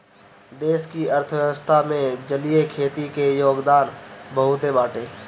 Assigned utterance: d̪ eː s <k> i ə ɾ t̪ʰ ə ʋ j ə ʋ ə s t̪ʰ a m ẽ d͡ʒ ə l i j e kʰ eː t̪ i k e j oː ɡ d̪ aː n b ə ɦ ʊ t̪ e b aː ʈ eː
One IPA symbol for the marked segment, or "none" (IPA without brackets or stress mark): k